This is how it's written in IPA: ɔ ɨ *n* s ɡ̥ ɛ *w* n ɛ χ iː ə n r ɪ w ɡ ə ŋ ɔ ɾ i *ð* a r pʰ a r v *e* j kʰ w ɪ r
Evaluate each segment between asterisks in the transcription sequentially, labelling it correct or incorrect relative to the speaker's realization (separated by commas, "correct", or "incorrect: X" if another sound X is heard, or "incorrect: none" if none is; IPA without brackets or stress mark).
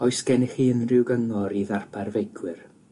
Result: incorrect: none, incorrect: none, correct, correct